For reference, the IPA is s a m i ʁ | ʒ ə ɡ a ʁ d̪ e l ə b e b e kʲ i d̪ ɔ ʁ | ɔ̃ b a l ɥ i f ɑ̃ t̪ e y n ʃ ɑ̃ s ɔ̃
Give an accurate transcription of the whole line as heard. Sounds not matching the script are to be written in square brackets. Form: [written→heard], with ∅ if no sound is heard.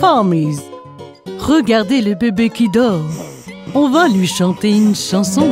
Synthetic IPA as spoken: [s→f] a m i [ʁ→z] | [ʒ→ʁ] ə ɡ a ʁ d̪ e l ə b e b e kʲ i d̪ ɔ ʁ | ɔ̃ [b→v] a l ɥ i [f→ʃ] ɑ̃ t̪ e y n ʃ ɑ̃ s ɔ̃